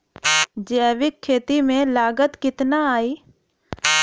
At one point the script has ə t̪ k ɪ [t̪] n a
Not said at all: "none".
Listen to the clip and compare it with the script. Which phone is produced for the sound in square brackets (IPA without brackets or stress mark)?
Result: t̪